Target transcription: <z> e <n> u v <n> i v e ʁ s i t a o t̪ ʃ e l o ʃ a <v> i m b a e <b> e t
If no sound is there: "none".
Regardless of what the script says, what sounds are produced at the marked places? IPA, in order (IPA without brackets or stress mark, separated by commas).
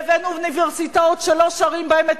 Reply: v, n, n, ʁ, m